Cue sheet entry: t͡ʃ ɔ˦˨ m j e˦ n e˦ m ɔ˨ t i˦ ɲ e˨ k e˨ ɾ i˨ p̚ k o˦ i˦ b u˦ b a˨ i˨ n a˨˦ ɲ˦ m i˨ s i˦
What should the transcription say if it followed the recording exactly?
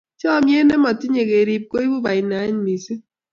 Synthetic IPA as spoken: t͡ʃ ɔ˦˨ m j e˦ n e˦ m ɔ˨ t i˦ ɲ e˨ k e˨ ɾ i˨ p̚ k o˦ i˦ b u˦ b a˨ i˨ n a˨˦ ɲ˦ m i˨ s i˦